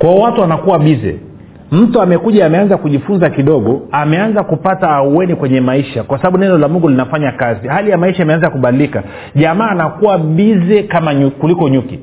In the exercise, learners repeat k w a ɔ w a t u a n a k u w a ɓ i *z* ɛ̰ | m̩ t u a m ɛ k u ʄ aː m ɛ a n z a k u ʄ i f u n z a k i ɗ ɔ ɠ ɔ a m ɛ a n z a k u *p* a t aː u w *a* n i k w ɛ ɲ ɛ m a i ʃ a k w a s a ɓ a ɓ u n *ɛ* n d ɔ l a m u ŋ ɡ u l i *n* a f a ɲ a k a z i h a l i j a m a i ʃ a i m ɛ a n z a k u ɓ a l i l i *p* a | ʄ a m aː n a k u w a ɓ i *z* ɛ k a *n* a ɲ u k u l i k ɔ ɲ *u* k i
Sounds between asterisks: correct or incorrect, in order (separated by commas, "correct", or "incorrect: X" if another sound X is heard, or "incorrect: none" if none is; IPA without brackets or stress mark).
correct, correct, incorrect: ɛ, correct, correct, incorrect: k, correct, incorrect: m, correct